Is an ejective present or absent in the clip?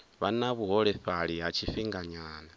absent